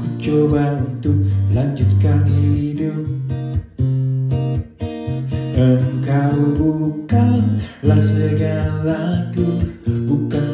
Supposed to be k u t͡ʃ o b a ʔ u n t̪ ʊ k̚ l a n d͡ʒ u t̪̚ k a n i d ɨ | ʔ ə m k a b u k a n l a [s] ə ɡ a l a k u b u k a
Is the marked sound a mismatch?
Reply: no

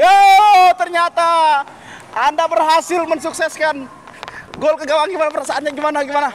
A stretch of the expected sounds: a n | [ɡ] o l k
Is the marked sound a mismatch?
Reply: no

